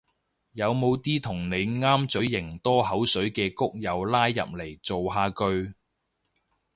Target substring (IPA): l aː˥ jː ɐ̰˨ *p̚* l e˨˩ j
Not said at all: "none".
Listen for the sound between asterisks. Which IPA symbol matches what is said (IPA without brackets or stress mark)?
p̚